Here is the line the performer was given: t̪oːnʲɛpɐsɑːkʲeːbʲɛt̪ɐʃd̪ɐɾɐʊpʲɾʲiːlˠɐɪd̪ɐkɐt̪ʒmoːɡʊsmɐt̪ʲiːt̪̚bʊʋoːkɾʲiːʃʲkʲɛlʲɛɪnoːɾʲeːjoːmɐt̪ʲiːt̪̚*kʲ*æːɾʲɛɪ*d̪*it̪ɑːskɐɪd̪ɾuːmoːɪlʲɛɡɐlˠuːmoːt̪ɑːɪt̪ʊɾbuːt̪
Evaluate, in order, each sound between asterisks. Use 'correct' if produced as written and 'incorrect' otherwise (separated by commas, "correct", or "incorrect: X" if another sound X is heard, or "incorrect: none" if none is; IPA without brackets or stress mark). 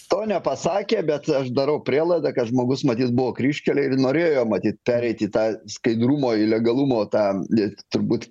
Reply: incorrect: pʲ, incorrect: t̪